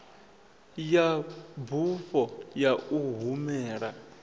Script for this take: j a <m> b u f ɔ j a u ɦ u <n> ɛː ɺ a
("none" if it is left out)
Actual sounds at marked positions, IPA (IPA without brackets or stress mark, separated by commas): none, m